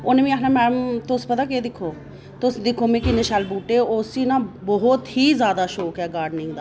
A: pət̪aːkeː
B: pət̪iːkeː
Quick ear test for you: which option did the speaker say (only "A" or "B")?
A